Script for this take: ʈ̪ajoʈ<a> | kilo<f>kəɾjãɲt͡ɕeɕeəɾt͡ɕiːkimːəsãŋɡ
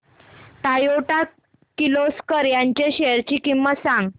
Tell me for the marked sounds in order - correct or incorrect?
correct, incorrect

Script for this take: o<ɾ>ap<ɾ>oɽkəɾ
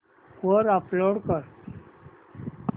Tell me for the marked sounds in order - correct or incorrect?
correct, incorrect

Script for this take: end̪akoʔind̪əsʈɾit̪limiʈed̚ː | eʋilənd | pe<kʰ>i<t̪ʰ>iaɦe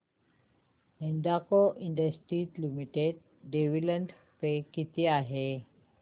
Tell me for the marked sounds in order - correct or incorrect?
incorrect, incorrect

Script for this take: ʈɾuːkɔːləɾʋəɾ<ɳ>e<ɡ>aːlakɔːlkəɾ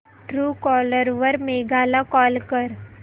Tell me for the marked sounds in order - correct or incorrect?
incorrect, correct

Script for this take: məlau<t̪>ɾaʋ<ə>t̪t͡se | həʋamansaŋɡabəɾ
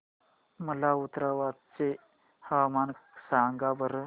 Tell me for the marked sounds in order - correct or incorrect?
correct, incorrect

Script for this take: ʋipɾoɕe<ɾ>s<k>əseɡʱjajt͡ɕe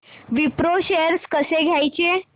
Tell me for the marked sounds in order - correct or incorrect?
correct, correct

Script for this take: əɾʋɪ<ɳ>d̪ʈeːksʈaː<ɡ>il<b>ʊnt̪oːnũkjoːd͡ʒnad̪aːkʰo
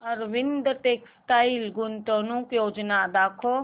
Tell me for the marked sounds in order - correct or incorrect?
incorrect, incorrect, incorrect

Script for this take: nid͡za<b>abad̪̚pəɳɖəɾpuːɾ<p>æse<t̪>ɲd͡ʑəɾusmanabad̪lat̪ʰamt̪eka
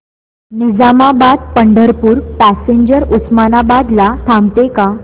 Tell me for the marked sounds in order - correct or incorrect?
incorrect, correct, incorrect

